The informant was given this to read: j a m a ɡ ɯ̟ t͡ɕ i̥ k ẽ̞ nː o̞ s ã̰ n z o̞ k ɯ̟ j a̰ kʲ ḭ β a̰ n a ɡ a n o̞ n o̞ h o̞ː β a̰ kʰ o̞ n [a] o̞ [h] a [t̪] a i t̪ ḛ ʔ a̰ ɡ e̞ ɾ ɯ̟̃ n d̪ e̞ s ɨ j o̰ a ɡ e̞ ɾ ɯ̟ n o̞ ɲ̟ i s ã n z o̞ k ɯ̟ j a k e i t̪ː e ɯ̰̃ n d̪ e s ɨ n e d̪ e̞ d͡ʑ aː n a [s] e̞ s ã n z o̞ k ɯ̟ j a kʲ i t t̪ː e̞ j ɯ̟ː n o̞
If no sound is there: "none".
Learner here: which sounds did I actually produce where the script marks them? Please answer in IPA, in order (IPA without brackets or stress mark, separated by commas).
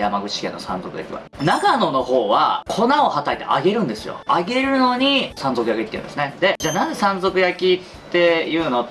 a, h, t̪, z